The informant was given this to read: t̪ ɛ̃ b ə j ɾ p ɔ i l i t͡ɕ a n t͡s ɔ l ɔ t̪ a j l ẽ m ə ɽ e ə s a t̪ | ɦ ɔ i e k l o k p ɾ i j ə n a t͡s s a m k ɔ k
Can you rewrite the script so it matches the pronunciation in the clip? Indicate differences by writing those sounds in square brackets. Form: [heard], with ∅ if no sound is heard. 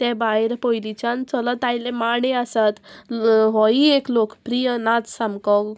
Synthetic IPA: t̪ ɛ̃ b [a] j ɾ p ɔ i l i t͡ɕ a n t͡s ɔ l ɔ t̪ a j l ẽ m [a] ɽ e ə s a t̪ | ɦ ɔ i e k l o k p ɾ i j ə n a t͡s s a m k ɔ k